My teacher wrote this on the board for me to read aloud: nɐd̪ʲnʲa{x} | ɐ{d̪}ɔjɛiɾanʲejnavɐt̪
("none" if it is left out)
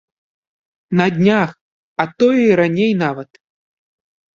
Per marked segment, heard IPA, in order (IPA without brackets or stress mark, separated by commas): x, t̪